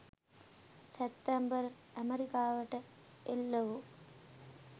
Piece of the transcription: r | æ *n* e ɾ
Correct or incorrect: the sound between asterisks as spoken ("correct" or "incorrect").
incorrect